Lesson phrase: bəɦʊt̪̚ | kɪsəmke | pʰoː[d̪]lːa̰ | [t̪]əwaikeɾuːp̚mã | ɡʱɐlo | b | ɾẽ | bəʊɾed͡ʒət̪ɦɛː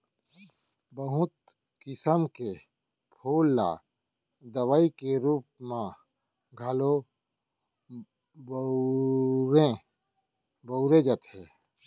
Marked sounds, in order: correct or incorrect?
incorrect: none, incorrect: d̪

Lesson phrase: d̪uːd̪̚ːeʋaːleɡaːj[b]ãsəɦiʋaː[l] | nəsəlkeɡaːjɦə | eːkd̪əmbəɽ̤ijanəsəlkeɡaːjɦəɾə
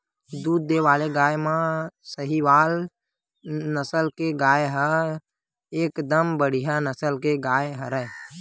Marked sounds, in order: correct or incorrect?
incorrect: m, correct

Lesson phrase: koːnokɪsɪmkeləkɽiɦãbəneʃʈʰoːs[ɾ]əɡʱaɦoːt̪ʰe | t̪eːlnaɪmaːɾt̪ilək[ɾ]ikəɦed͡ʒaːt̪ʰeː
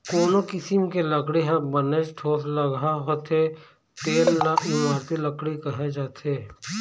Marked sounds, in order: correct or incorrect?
incorrect: l, incorrect: ɽ

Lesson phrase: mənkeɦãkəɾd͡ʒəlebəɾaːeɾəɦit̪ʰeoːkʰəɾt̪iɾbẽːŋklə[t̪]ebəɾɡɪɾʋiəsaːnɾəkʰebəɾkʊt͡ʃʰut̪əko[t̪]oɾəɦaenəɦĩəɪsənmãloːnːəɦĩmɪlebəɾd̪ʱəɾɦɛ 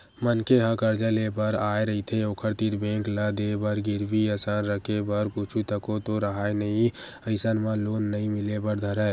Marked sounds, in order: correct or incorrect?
incorrect: d̪, correct

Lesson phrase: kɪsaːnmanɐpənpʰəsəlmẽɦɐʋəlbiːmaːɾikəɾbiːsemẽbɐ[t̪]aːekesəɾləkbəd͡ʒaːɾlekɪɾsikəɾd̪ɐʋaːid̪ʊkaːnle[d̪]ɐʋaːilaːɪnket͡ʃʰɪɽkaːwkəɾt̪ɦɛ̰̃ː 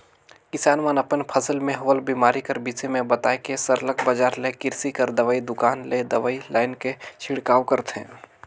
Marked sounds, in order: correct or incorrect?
correct, correct

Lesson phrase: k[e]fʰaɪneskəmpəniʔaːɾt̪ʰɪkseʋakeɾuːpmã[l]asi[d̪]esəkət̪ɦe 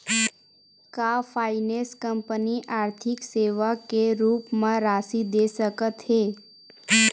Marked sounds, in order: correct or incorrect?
incorrect: a, incorrect: ɾ, correct

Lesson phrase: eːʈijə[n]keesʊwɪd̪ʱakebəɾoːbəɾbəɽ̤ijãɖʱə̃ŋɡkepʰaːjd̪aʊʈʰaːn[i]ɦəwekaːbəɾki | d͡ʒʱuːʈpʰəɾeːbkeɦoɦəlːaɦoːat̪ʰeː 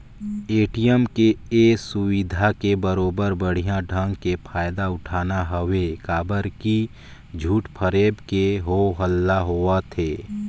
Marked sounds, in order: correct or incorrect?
incorrect: m, incorrect: a

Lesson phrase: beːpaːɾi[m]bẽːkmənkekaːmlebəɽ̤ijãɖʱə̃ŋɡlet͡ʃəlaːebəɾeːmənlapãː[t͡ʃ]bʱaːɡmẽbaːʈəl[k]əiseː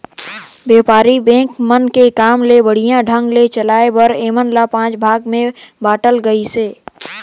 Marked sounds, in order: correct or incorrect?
incorrect: none, correct, incorrect: ɡ

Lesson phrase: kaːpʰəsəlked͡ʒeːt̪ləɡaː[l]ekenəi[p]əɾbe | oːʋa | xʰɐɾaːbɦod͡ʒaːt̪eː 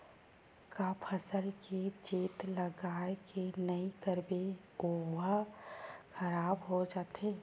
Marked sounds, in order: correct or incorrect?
incorrect: none, incorrect: k

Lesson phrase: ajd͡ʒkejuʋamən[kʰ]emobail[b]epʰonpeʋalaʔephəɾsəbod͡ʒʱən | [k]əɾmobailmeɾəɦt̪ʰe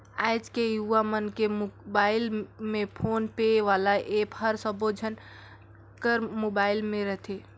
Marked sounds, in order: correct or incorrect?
incorrect: k, incorrect: m, correct

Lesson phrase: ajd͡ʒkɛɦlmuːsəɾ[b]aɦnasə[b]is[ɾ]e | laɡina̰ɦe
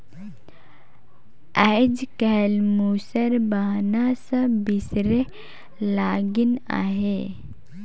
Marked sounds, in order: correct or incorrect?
correct, correct, correct

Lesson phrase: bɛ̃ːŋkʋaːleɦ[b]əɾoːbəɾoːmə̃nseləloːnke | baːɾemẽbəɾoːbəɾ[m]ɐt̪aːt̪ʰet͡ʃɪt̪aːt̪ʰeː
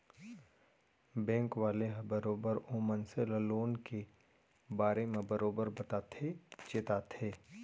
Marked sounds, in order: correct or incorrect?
correct, incorrect: b

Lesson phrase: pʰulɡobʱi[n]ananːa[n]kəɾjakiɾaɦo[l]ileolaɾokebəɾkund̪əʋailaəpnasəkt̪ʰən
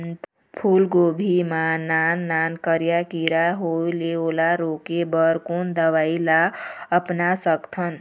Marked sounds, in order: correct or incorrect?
incorrect: m, correct, incorrect: none

